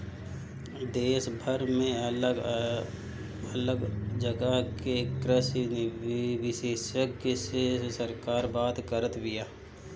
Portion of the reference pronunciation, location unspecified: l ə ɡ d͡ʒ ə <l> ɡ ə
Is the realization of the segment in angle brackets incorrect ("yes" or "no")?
yes